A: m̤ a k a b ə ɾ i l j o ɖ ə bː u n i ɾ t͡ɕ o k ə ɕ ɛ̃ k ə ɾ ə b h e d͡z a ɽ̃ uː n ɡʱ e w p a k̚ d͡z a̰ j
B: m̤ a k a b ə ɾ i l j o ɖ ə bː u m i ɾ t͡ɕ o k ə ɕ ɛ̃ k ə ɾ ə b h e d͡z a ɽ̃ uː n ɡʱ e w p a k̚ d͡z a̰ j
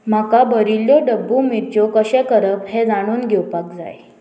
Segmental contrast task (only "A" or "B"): B